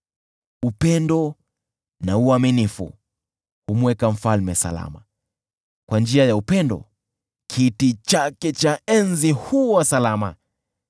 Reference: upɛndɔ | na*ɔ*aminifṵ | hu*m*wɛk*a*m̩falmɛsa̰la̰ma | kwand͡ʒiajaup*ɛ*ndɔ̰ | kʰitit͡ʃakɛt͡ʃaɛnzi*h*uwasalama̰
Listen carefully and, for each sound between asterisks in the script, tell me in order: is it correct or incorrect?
incorrect: u, correct, correct, correct, correct

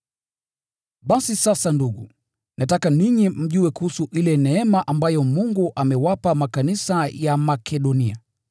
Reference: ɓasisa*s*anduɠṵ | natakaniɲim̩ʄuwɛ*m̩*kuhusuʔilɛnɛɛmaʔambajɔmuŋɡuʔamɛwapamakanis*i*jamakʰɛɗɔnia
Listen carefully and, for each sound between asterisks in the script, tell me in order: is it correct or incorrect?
correct, incorrect: none, incorrect: a

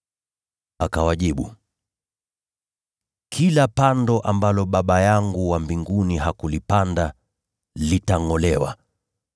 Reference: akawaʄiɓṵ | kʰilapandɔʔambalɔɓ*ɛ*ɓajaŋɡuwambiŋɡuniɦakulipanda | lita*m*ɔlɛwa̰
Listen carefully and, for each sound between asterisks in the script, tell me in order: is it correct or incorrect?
incorrect: a, incorrect: ŋ

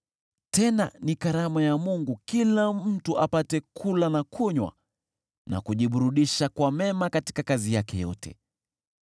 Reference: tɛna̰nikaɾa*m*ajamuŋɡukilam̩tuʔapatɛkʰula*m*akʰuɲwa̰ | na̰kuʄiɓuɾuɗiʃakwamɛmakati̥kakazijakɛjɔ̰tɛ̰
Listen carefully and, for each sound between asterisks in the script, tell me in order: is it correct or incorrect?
correct, incorrect: n

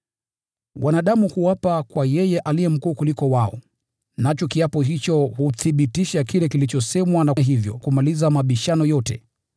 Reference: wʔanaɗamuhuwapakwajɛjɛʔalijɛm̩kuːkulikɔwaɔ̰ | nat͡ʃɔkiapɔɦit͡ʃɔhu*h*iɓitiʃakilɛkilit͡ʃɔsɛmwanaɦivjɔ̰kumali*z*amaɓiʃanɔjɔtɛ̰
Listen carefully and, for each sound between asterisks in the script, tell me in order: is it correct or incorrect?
incorrect: θ, correct

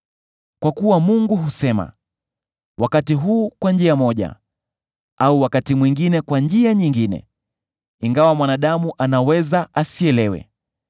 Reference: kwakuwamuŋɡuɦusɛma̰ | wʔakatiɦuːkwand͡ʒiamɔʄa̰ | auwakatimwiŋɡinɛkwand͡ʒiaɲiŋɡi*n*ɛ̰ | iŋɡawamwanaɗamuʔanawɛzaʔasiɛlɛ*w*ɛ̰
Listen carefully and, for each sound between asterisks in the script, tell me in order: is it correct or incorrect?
correct, correct

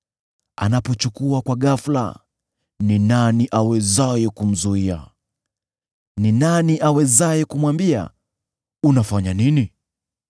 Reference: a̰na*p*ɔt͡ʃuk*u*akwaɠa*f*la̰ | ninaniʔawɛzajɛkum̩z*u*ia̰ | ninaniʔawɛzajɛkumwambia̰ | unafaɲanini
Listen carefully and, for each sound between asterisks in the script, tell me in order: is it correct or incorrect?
correct, correct, correct, correct

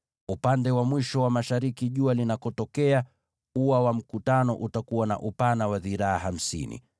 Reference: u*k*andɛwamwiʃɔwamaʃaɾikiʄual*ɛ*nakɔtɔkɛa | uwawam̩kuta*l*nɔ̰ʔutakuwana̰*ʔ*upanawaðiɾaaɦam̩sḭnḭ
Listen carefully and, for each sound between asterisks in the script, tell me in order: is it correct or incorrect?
incorrect: p, incorrect: i, incorrect: none, correct

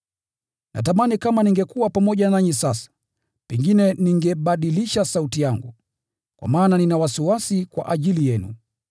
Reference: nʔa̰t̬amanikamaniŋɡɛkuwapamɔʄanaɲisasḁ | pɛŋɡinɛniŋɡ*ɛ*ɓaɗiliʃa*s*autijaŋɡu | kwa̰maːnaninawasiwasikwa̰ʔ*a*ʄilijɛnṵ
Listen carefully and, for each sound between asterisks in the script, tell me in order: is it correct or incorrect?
correct, correct, correct

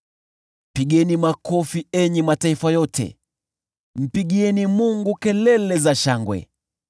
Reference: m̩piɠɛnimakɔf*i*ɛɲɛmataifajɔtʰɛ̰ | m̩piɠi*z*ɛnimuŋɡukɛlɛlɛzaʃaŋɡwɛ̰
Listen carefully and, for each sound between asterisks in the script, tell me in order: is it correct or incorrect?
correct, incorrect: none

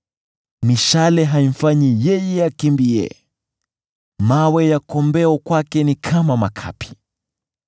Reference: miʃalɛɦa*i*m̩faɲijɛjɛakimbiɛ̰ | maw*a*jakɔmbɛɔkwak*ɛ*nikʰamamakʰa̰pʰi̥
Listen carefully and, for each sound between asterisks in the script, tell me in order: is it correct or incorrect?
correct, incorrect: ɛ, correct

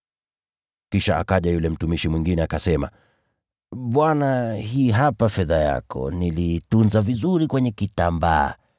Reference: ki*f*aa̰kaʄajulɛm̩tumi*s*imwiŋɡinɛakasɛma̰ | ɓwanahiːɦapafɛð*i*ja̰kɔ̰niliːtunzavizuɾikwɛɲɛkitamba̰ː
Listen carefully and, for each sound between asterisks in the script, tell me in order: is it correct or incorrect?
incorrect: ʃ, incorrect: ʃ, incorrect: a

